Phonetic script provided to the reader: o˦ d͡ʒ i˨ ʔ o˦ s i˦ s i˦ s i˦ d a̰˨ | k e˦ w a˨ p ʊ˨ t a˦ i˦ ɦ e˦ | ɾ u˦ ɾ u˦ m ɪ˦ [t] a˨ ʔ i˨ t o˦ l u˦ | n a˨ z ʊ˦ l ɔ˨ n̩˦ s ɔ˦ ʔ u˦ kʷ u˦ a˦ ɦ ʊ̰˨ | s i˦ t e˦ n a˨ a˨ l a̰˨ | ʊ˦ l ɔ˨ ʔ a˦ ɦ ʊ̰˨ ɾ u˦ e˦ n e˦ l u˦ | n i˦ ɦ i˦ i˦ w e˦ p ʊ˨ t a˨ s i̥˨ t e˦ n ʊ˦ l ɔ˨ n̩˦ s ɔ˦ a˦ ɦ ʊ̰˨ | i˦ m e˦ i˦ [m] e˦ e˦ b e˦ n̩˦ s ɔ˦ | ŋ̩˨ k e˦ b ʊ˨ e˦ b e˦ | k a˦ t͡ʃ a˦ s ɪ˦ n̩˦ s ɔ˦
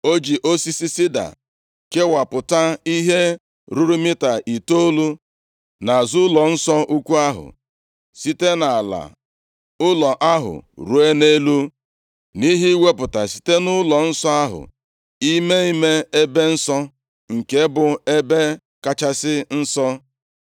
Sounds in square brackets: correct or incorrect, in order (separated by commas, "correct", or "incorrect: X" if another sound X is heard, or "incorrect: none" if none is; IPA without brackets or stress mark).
correct, correct